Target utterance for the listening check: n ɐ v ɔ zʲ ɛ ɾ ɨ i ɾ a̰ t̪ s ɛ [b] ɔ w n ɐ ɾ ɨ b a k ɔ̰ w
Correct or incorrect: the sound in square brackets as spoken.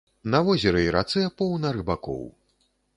incorrect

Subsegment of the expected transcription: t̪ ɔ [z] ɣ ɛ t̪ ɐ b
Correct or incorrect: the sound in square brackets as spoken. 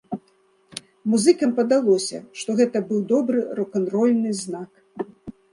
incorrect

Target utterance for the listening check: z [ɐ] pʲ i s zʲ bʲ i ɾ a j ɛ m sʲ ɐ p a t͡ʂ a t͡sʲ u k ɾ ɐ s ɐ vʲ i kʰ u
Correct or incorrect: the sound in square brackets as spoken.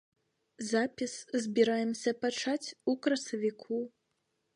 incorrect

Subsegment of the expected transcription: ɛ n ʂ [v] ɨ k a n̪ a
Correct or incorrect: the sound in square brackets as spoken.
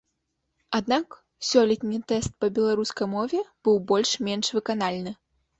correct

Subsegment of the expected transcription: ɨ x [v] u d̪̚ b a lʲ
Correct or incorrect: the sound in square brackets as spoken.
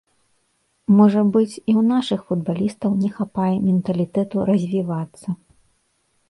incorrect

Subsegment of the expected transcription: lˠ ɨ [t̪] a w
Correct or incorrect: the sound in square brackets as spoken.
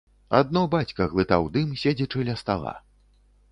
correct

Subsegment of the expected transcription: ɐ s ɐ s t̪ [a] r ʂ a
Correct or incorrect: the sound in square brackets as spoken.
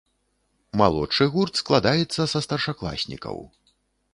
incorrect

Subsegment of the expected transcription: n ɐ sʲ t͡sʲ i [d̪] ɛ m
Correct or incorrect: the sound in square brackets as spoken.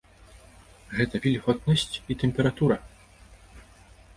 incorrect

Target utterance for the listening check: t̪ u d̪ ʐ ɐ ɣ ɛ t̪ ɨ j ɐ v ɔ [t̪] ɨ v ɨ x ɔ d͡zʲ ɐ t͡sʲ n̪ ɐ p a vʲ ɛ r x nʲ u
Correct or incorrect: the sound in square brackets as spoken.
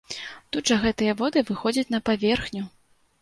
incorrect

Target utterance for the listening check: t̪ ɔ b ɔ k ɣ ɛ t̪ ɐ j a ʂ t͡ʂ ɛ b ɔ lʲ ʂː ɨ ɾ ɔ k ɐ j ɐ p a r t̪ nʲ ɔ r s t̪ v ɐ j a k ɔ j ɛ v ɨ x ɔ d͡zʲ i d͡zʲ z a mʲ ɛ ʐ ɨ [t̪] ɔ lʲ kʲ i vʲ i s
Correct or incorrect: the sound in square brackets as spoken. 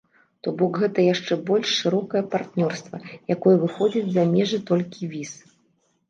correct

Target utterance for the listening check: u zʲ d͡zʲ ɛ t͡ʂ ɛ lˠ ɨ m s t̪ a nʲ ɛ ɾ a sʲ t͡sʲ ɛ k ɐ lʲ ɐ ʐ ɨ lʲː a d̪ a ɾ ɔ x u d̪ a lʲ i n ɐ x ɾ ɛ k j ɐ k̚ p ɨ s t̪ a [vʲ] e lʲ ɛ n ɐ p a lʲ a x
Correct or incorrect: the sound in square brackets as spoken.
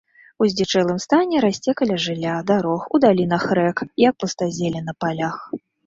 incorrect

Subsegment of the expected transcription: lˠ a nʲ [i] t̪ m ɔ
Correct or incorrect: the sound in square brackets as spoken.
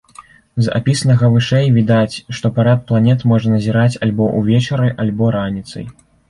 incorrect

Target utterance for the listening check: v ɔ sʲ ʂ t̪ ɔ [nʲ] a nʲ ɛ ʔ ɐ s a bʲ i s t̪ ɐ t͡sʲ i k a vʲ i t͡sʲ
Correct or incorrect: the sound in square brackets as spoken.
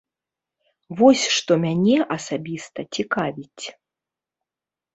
incorrect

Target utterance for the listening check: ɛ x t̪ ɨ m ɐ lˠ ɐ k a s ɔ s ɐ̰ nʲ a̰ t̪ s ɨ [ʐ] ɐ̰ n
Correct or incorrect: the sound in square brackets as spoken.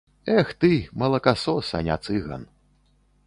incorrect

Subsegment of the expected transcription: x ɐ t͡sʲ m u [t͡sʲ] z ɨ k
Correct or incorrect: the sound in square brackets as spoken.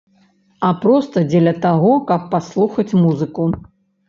incorrect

